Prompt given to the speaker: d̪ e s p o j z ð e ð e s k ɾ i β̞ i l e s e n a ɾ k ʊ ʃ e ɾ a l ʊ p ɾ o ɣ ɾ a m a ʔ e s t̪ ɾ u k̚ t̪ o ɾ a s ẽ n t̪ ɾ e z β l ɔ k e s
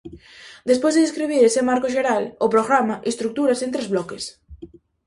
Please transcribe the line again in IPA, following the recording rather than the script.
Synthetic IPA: d̪ e s p o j z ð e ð e s k ɾ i β̞ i ɾ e s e m a ɾ k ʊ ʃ e ɾ a l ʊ p ɾ o ɣ ɾ a m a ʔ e s t̪ ɾ u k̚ t̪ u ɾ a s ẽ n t̪ ɾ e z β l ɔ k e s